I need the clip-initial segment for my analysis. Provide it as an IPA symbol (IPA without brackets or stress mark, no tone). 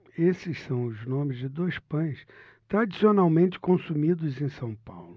e